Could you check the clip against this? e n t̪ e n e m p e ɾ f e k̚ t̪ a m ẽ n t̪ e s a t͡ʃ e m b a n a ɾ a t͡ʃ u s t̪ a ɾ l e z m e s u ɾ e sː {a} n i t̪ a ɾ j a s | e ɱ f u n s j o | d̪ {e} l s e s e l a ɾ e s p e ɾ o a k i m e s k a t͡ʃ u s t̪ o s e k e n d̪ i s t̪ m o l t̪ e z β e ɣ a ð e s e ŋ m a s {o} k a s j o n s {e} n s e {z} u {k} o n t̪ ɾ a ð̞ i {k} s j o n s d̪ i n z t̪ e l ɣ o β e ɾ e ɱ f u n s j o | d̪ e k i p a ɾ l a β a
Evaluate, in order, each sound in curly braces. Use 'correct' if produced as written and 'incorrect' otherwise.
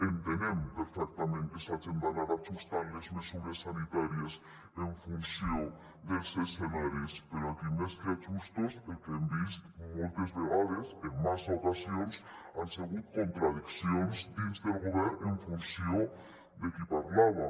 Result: correct, correct, correct, incorrect, incorrect, correct, correct

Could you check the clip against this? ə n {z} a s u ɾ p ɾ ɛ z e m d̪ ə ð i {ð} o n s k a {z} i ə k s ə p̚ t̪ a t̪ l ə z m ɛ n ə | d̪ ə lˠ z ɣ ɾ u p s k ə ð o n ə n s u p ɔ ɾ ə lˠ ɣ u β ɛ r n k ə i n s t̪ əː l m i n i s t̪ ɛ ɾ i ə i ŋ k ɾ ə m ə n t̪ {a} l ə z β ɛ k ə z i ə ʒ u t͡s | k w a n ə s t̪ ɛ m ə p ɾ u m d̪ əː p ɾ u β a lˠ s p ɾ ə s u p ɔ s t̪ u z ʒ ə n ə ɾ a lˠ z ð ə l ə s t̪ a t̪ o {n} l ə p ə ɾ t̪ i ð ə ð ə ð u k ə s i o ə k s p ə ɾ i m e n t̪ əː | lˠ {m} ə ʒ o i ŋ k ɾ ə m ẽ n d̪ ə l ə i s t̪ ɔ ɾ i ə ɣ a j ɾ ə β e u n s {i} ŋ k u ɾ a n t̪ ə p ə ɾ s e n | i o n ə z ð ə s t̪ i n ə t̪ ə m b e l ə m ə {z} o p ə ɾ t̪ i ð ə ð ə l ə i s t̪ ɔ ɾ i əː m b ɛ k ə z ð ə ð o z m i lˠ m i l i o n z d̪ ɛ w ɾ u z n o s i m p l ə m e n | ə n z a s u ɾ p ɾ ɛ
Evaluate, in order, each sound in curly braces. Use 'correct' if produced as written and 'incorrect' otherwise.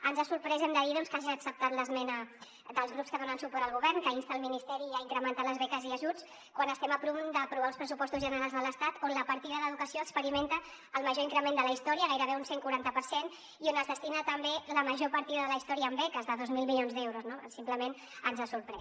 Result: correct, correct, incorrect, correct, correct, correct, incorrect, incorrect

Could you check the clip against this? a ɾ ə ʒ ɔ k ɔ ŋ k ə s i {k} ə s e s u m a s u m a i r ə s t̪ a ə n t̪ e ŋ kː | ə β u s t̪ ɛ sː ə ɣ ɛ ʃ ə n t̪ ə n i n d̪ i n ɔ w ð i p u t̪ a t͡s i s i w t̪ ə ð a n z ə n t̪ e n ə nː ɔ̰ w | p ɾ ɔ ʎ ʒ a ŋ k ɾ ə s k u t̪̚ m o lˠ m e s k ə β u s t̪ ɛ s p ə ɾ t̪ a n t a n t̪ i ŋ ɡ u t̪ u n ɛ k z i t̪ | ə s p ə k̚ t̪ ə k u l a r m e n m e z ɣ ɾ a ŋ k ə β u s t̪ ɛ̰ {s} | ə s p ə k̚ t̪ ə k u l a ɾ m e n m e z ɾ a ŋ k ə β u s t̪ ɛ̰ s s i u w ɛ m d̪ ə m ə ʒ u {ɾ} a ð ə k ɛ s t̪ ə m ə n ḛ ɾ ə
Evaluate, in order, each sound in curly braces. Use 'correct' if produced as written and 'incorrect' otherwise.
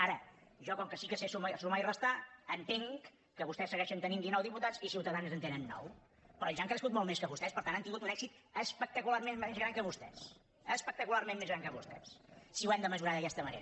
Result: correct, correct, correct

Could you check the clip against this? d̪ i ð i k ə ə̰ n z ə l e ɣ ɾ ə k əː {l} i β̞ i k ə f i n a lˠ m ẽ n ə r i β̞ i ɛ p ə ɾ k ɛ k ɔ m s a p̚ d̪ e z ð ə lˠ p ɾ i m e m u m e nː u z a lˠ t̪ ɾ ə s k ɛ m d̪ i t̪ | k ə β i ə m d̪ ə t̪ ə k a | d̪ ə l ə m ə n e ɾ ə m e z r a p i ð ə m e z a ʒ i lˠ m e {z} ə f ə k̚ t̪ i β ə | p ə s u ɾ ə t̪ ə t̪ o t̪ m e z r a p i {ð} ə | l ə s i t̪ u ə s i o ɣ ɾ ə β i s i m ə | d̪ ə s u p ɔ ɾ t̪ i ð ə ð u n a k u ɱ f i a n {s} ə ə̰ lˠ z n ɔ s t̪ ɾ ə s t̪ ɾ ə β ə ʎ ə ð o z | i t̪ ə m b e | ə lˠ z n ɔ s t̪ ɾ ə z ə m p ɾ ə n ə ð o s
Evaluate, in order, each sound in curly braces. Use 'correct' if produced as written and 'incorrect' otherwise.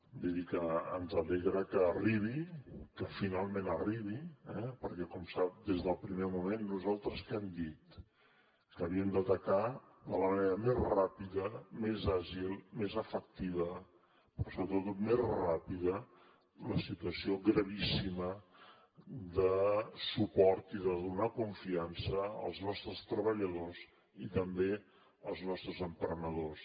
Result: incorrect, correct, correct, correct

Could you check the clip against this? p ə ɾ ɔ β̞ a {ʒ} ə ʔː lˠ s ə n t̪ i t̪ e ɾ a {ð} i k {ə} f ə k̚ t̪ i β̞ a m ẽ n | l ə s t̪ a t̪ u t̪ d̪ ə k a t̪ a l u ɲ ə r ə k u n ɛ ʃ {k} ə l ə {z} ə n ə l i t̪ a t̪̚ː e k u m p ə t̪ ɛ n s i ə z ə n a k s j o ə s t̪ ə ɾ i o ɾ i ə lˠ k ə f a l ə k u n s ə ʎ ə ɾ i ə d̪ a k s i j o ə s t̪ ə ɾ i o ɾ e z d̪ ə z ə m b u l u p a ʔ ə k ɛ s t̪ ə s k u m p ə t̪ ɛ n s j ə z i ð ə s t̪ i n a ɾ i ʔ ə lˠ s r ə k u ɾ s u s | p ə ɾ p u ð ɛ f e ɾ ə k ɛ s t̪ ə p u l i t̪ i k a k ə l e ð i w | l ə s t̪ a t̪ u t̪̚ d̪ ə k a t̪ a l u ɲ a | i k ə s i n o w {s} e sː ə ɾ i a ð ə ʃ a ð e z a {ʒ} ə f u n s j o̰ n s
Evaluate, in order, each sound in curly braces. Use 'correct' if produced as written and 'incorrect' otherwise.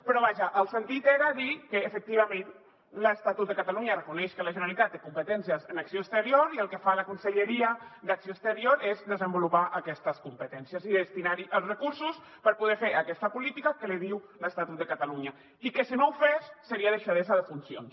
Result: correct, correct, incorrect, correct, incorrect, incorrect, incorrect

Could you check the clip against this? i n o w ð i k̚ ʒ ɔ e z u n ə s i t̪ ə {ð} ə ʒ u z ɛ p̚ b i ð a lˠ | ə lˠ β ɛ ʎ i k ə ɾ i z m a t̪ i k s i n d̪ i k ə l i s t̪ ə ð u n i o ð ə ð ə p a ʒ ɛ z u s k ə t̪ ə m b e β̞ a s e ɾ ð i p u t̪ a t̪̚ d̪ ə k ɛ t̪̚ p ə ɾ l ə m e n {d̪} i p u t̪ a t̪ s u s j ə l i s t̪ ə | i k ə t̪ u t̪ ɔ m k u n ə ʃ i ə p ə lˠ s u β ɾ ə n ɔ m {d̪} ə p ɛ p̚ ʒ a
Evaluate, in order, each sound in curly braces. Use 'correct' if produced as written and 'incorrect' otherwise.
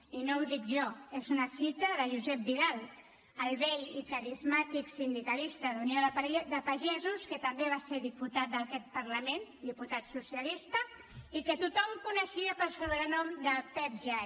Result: correct, correct, correct

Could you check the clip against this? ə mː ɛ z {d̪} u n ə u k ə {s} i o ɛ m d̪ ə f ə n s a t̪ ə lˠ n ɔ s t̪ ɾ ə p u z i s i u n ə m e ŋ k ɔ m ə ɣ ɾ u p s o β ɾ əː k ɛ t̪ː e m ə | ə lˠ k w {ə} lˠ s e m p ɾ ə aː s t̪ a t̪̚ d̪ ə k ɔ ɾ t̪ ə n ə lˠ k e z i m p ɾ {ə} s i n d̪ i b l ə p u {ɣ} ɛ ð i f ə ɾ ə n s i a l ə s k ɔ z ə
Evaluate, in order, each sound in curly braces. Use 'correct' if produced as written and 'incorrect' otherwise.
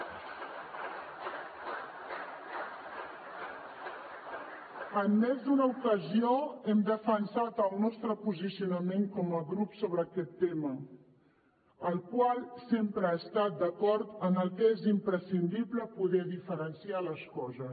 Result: correct, incorrect, incorrect, correct, incorrect

